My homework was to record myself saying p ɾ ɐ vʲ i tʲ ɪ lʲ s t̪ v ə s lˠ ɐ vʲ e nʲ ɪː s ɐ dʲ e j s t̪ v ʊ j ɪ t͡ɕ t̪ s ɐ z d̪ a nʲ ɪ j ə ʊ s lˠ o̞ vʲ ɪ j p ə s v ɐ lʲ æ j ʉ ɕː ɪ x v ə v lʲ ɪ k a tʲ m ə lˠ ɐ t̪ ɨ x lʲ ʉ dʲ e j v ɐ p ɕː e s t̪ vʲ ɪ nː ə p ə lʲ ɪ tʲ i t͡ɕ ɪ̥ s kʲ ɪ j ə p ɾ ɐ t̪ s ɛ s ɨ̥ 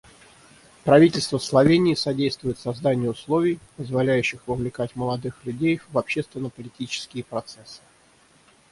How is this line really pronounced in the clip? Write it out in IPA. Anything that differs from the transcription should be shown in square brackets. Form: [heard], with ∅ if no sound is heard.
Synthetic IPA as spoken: p ɾ ɐ vʲ i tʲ ɪ lʲ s t̪ v ə s lˠ ɐ vʲ e nʲ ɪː s ɐ dʲ e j s t̪ v ʊ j ɪ [∅] t̪ s ɐ z d̪ a nʲ ɪ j ə ʊ s lˠ o̞ vʲ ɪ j p ə [z] v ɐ lʲ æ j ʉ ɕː ɪ x v ə v lʲ ɪ k a tʲ m ə lˠ ɐ [d̪] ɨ x lʲ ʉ dʲ e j v ɐ p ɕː e s t̪ vʲ ɪ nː ə p ə lʲ ɪ tʲ i t͡ɕ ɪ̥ s kʲ ɪ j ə p ɾ ɐ t̪ s ɛ s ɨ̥